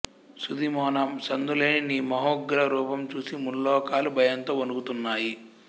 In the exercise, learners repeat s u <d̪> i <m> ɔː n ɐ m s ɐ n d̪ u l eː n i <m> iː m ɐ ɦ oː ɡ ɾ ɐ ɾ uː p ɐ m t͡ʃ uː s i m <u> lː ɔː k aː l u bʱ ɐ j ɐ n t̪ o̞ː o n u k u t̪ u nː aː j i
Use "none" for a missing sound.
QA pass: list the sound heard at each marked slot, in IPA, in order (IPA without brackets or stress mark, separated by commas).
d̪, m, n, u